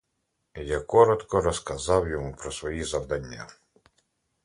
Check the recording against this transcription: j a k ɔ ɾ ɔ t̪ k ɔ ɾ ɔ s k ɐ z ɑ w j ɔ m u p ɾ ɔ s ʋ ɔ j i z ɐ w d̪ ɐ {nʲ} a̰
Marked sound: incorrect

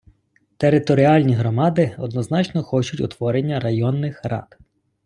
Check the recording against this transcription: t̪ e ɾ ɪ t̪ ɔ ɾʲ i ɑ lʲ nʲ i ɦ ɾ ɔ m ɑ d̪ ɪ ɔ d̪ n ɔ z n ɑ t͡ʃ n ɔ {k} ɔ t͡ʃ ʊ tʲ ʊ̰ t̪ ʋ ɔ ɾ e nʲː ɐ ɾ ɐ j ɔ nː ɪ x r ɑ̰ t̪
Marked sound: incorrect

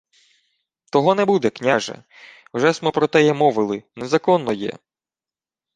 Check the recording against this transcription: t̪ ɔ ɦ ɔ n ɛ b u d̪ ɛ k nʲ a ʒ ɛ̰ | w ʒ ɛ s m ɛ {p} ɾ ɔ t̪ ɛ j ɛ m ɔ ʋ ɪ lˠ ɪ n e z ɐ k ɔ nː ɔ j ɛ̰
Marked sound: correct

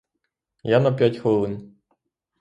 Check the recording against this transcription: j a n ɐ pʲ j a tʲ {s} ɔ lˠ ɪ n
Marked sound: incorrect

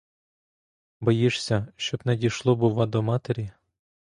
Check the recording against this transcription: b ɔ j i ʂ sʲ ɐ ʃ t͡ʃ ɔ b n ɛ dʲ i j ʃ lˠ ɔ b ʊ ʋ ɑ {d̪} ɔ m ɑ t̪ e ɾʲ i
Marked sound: correct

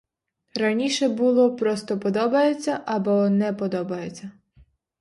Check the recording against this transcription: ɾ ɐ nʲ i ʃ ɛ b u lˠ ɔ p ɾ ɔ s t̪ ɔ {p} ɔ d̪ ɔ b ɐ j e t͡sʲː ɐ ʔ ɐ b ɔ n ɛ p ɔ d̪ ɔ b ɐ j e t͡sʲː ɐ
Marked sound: correct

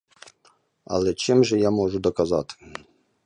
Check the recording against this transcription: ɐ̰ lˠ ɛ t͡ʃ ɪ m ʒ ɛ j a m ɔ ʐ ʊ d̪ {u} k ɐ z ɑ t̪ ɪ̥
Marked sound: incorrect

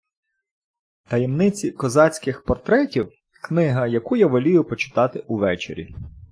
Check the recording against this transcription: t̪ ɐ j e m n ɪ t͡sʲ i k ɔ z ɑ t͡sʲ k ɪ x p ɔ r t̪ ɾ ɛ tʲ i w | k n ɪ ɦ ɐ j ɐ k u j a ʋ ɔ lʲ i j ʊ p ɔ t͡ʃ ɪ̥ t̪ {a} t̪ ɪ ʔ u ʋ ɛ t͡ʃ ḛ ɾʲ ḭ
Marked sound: incorrect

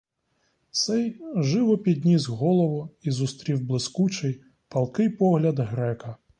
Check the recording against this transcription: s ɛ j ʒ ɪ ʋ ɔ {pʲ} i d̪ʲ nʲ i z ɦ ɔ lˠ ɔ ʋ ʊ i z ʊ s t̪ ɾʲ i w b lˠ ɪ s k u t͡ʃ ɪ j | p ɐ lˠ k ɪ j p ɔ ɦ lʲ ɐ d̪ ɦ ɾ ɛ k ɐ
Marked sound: correct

